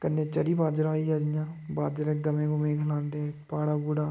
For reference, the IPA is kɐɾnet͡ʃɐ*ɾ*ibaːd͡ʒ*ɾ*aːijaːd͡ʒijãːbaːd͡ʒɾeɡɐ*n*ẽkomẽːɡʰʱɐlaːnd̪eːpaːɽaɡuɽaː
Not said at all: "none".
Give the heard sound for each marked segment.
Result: ɾ, ɾ, m

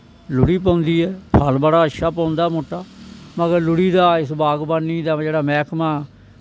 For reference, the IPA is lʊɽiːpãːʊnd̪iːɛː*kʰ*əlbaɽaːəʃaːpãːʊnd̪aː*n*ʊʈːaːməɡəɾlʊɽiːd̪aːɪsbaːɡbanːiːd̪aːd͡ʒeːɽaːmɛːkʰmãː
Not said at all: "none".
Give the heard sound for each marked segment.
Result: pʰ, m

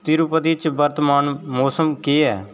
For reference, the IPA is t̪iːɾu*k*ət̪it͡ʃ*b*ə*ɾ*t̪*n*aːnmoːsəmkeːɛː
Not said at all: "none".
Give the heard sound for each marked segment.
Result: p, b, ɾ, m

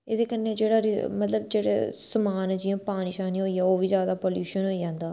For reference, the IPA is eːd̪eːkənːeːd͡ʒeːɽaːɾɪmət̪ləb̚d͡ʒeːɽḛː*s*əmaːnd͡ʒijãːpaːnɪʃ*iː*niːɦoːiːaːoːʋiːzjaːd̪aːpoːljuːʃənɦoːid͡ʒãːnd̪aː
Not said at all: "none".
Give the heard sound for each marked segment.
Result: s, aː

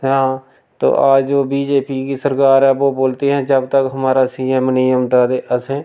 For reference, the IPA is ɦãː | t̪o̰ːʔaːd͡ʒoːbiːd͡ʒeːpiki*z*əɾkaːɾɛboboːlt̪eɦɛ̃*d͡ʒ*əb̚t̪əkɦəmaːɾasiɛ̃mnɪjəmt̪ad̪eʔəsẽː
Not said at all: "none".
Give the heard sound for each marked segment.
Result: s, d͡ʒ

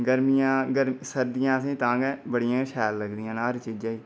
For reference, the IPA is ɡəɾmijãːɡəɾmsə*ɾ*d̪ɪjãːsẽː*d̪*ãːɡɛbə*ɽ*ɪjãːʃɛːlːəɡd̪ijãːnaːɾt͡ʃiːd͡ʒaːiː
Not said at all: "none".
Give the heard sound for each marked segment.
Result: ɾ, t̪, ɽ

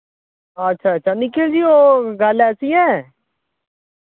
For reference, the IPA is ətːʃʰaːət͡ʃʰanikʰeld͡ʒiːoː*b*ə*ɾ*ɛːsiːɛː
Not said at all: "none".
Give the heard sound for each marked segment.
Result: ɡ, l

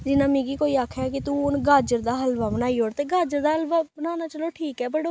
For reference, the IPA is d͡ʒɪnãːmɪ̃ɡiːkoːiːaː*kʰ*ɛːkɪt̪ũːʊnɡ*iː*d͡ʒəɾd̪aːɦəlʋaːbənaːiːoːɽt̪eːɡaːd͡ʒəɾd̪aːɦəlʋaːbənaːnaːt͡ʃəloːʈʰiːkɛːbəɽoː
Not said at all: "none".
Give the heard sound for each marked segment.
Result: kʰ, aː

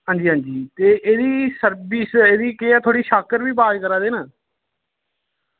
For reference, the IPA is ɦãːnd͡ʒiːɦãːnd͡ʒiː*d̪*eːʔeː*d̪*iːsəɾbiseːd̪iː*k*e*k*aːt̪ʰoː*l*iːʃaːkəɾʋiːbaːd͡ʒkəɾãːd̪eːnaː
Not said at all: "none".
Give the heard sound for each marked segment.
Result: t̪, d̪, k, none, ɽ

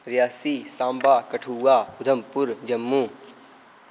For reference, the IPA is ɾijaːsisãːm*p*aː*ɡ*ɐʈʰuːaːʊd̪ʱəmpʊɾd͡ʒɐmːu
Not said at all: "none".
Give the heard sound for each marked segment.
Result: b, k

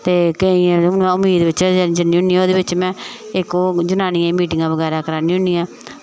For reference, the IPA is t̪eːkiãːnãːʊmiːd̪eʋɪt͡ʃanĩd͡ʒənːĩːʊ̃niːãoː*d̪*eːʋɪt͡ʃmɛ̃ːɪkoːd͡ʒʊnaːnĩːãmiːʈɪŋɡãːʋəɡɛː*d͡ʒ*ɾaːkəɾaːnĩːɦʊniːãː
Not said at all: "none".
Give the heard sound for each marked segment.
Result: d̪, none

